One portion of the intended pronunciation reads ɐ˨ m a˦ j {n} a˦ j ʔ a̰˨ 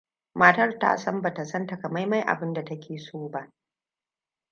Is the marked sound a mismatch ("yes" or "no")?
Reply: yes